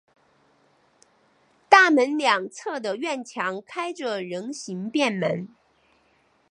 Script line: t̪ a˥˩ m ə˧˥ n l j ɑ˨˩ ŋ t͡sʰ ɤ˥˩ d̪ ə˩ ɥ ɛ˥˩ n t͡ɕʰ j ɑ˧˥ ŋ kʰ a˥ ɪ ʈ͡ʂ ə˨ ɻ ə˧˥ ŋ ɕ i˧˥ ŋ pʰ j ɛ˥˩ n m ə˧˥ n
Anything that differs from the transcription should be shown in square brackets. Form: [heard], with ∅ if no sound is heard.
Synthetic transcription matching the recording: t̪ a˥˩ m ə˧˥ n l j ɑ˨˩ ŋ t͡sʰ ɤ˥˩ d̪ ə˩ ɥ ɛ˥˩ n t͡ɕʰ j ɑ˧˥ ŋ kʰ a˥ ɪ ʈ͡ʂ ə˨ ɻ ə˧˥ ŋ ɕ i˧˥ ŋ [p] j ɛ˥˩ n m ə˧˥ n

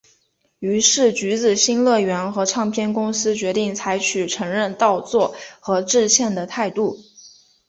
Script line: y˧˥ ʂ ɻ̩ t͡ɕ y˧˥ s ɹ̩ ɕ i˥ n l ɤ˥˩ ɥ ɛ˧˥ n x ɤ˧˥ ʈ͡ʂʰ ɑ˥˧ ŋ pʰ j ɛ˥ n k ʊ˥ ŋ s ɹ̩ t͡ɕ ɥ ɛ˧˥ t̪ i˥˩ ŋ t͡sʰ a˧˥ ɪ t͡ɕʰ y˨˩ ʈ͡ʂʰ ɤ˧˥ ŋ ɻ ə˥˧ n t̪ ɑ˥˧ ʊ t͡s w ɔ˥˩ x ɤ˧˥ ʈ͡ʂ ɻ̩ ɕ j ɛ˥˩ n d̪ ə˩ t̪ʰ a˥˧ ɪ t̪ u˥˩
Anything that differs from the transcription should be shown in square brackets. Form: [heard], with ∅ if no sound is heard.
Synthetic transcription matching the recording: y˧˥ ʂ ɻ̩ t͡ɕ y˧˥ [t͡s] ɹ̩ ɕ i˥ n l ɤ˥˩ ɥ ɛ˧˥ n x ɤ˧˥ ʈ͡ʂʰ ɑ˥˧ ŋ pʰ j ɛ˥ n k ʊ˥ ŋ s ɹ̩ t͡ɕ ɥ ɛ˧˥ t̪ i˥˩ ŋ t͡sʰ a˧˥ ɪ t͡ɕʰ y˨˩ ʈ͡ʂʰ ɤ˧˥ ŋ ɻ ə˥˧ n t̪ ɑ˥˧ ʊ t͡s w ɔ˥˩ x ɤ˧˥ ʈ͡ʂ ɻ̩ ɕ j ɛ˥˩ n d̪ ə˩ t̪ʰ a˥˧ ɪ t̪ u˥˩

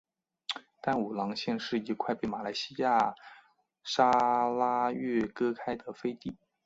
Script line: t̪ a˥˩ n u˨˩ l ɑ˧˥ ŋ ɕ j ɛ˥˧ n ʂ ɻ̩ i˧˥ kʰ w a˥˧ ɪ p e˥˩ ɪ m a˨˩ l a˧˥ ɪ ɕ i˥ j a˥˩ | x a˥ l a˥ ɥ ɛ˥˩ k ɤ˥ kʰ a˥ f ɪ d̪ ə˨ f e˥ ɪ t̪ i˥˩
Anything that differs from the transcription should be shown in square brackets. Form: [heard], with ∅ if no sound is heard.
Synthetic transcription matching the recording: t̪ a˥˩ n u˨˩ l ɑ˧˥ ŋ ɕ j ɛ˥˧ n ʂ ɻ̩ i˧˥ kʰ w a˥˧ ɪ p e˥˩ ɪ m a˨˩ l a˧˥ ɪ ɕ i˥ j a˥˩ | [ʂ] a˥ l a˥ ɥ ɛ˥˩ k ɤ˥ kʰ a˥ [∅] ɪ d̪ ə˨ f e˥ ɪ t̪ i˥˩

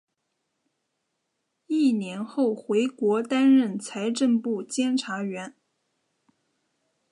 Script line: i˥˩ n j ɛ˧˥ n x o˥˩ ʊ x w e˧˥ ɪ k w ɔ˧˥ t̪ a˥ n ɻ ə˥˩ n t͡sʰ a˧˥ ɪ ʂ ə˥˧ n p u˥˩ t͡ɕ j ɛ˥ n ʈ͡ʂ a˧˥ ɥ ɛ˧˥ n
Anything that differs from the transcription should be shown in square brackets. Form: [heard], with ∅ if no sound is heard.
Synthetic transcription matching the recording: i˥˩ n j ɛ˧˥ n x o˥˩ ʊ x w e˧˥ ɪ k w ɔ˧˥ t̪ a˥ n ɻ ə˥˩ n t͡sʰ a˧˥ ɪ [ʈ͡ʂ] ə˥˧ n p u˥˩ t͡ɕ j ɛ˥ n [ʈ͡ʂʰ] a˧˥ ɥ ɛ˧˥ n

